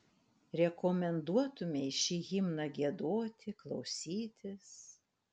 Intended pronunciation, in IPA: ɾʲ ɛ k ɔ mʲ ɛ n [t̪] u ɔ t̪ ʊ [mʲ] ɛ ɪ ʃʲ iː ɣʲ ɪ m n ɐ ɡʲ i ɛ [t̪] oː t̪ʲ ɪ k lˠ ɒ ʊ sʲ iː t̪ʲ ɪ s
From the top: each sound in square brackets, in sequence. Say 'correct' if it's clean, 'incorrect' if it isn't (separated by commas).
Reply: incorrect, correct, incorrect